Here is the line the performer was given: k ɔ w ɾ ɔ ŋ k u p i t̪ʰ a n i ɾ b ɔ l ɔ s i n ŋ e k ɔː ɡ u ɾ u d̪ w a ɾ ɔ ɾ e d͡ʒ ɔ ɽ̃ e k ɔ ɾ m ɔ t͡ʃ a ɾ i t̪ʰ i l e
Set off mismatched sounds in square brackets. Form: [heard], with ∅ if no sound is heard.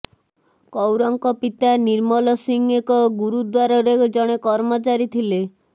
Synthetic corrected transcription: k ɔ w ɾ ɔ ŋ k [ɔ] p i [t̪] a n i ɾ [m] ɔ l ɔ s i [∅] ŋ e k [ɔ] ɡ u ɾ u d̪ w a ɾ ɔ ɾ e d͡ʒ ɔ ɽ̃ e k ɔ ɾ m ɔ t͡ʃ a ɾ i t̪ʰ i l e